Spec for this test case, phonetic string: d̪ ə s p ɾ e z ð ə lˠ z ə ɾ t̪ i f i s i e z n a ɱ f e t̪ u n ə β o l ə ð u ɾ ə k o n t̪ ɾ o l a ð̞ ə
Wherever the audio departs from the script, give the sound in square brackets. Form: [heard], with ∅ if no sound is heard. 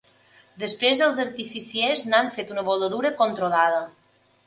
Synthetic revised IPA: d̪ ə s p ɾ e z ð ə lˠ z ə ɾ t̪ i f i s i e z n a ɱ f e t̪ u n ə β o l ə ð u ɾ ə k o n t̪ ɾ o l a ð̞ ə